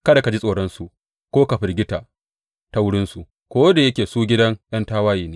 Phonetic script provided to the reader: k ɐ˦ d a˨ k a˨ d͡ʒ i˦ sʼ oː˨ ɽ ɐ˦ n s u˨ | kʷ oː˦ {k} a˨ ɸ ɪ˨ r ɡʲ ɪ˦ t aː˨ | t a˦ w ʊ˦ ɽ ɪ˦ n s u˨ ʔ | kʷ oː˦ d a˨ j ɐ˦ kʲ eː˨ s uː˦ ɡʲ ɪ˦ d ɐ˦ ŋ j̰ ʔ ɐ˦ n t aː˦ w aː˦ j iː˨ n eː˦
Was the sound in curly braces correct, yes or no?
yes